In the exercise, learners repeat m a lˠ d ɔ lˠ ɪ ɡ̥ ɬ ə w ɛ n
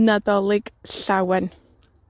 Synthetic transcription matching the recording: n a d ɔ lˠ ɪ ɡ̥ ɬ a w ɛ n